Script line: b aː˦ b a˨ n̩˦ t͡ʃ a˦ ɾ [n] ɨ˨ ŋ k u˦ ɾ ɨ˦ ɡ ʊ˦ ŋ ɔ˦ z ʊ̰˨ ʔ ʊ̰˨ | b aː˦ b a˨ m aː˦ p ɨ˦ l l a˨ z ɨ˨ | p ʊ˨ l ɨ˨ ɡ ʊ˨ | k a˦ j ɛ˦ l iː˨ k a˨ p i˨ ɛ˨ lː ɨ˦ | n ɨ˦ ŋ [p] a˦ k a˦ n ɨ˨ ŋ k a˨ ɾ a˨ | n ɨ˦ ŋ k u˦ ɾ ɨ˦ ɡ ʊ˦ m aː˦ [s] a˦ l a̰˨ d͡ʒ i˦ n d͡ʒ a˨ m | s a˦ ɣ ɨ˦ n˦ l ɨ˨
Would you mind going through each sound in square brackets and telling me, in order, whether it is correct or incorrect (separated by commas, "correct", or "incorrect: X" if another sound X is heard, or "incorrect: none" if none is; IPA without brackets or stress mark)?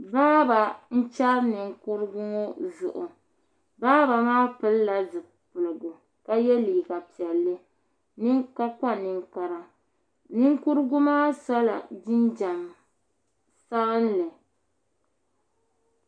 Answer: correct, incorrect: k, correct